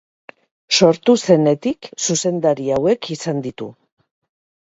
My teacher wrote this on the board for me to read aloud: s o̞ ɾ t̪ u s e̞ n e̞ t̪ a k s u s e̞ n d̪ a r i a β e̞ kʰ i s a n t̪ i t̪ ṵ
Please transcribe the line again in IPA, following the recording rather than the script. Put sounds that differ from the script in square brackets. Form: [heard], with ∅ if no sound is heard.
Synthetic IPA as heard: s o̞ ɾ t̪ u s e̞ n e̞ t̪ [i] k s u s e̞ n d̪ a [ɾ] i a [w] e̞ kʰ i s a n [d̪] i t̪ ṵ